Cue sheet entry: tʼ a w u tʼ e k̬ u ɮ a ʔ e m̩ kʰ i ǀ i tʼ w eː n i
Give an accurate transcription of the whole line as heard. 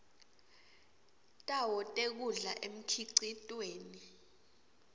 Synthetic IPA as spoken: tʼ a w ɔ tʼ e k̬ u ɮ a ʔ e m̩ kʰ i ǀ i tʼ w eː n i